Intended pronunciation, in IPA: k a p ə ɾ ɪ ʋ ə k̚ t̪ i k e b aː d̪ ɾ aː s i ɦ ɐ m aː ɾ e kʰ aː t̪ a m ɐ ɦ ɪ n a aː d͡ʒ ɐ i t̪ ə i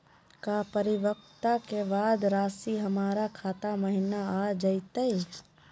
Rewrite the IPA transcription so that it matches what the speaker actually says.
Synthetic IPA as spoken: k a p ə ɾ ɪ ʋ ə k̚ t̪ a k e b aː d̪ ɾ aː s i ɦ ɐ m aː ɾ a kʰ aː t̪ a m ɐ ɦ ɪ n a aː d͡ʒ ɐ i t̪ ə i